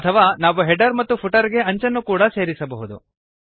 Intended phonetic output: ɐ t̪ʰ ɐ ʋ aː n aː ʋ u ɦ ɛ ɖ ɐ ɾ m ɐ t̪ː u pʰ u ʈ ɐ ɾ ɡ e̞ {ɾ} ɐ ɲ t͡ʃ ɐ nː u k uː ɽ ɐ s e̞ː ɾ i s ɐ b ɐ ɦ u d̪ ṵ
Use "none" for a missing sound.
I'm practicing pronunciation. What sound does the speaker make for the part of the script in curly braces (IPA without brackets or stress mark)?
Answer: none